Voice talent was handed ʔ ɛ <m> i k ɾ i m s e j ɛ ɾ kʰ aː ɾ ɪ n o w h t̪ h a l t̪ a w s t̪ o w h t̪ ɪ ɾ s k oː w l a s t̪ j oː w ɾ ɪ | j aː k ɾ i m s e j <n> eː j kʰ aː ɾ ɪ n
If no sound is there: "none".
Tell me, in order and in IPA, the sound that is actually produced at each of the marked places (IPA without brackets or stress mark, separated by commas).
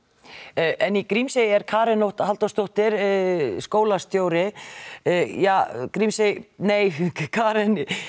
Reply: n, n